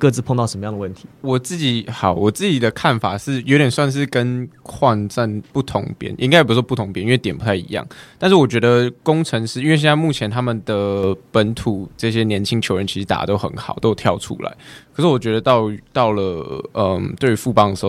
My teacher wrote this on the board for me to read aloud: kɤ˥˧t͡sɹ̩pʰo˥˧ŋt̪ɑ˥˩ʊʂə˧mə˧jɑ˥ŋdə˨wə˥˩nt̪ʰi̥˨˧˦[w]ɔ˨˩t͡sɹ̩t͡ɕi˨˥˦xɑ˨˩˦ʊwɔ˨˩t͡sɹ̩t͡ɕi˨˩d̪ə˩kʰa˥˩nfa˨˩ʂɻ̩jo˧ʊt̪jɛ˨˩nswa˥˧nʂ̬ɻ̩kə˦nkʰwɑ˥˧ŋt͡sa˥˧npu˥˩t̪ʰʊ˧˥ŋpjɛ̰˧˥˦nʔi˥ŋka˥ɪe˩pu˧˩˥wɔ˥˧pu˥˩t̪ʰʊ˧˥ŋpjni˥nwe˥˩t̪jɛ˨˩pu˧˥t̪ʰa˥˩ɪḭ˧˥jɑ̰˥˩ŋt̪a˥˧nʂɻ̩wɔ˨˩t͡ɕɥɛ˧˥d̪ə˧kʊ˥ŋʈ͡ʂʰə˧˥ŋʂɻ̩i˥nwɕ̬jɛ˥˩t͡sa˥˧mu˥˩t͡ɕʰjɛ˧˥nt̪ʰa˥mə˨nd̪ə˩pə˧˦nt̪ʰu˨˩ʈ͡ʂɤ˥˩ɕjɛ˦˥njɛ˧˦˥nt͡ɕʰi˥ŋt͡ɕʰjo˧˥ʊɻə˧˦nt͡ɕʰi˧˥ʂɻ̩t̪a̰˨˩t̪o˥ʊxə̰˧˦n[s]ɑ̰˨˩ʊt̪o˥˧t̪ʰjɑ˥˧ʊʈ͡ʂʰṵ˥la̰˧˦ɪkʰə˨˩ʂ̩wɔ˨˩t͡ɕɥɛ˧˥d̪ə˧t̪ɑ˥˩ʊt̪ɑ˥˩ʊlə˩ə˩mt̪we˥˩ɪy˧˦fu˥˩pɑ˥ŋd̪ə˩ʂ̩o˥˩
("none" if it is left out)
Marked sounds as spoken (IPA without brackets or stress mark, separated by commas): w, x